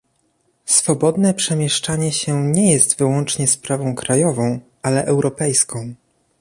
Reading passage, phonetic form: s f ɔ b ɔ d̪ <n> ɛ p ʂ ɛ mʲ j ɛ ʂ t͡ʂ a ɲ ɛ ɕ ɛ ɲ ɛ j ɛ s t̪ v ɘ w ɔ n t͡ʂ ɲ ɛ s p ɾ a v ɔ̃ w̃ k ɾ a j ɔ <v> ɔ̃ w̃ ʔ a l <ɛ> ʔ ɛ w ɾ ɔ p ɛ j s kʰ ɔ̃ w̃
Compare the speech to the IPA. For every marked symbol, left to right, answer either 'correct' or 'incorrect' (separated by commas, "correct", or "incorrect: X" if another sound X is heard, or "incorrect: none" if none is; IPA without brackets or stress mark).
correct, correct, correct